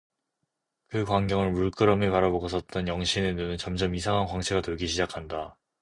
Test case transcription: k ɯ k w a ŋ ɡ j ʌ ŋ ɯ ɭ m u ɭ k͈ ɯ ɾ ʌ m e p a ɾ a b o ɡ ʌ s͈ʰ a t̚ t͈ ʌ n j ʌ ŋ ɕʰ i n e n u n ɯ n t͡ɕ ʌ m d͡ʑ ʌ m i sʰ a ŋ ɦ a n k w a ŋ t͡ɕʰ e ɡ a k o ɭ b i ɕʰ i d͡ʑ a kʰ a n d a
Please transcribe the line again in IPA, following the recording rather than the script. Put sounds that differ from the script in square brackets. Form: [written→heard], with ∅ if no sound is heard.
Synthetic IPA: k ɯ k w a ŋ ɡ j ʌ ŋ ɯ ɭ m u ɭ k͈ ɯ ɾ ʌ m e p a ɾ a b o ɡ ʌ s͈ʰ [a→ʌ] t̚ t͈ ʌ n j ʌ ŋ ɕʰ i n e n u n ɯ n t͡ɕ ʌ m d͡ʑ ʌ m i sʰ a ŋ ɦ a n k w a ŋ t͡ɕʰ e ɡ a [k→t] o ɭ [b→ɡ] i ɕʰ i d͡ʑ a kʰ a n d a